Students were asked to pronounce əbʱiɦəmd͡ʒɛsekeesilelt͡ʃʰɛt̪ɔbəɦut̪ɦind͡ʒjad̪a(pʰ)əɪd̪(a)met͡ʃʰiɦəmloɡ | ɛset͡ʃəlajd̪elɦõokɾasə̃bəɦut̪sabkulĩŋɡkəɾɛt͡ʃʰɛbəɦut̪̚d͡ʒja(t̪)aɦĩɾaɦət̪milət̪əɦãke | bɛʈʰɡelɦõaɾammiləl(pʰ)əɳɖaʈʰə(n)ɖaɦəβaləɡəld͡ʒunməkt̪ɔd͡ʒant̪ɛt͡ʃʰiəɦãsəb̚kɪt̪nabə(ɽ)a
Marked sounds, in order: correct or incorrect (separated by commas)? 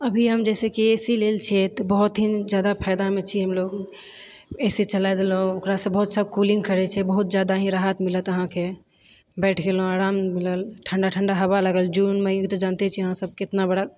correct, correct, incorrect, incorrect, incorrect, correct